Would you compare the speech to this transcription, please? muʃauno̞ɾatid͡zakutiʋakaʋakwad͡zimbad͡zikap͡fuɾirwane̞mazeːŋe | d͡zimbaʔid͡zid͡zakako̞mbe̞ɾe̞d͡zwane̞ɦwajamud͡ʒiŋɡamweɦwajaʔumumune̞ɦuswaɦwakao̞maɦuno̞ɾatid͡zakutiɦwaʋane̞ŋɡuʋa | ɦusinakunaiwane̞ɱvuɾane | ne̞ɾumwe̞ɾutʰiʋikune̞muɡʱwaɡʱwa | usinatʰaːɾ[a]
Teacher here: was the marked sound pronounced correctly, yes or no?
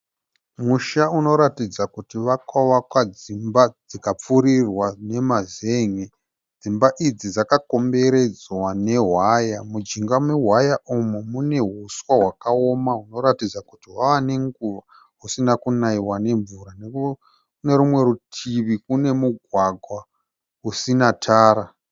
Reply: yes